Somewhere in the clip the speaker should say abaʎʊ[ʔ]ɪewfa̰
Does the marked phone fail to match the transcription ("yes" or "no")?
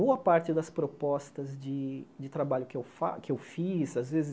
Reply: yes